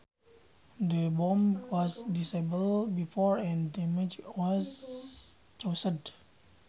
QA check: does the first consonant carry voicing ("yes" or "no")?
yes